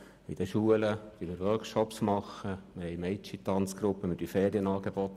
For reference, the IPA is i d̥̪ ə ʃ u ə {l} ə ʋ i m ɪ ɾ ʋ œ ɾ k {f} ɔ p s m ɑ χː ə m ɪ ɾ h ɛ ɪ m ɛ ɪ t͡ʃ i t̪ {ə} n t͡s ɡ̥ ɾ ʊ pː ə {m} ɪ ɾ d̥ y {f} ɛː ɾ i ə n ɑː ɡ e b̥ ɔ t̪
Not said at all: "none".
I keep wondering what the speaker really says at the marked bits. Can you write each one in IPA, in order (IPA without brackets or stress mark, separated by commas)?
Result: l, ʃ, ɑ, m, f